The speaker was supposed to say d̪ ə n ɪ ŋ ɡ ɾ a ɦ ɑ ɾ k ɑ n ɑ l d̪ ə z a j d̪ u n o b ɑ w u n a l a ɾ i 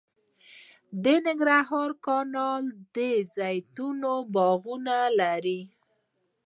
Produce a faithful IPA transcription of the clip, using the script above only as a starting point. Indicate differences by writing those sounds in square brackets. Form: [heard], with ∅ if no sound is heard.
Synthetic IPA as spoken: d̪ ə n ɪ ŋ ɡ ɾ a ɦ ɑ ɾ k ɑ n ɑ l d̪ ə z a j [t̪] u n o b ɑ [ɣ] u n a l a ɾ i